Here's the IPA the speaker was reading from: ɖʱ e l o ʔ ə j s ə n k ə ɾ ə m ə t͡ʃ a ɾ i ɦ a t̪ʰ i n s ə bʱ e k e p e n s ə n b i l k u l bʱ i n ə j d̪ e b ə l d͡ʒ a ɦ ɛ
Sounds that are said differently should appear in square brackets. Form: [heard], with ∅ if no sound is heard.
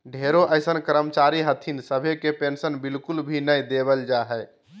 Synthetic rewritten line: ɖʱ e [ɾ] o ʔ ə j s ə n k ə ɾ ə m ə t͡ʃ a ɾ i ɦ [ə] t̪ʰ i n s ə bʱ e k e p e n s ə n b i l k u l bʱ i n ə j d̪ e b ə l d͡ʒ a ɦ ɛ